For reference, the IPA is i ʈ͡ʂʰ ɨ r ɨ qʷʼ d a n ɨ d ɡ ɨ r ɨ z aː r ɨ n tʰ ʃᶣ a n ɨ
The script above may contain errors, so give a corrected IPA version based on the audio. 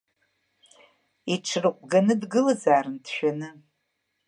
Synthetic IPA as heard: i ʈ͡ʂʰ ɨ r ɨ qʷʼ ɡ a n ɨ d ɡ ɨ l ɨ z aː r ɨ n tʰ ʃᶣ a n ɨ